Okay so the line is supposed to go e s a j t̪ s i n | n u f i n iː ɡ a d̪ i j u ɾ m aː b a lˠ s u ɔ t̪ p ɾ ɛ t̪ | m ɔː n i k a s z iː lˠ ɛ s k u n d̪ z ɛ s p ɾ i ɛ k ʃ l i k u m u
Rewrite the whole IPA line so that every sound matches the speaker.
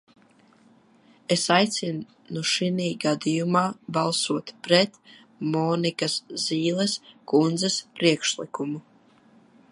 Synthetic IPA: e s a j t̪ s i n | n u ʃ i n iː ɡ a d̪ i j u m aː b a lˠ s u ɔ t̪ p ɾ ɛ t̪ | m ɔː n i k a s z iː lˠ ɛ s k u n d̪ z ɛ s p ɾ i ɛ k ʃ l i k u m u